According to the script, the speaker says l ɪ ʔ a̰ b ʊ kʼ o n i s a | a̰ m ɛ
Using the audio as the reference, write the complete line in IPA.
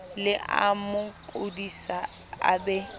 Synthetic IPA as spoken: l ɪ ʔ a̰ m ʊ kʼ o d i s a | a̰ b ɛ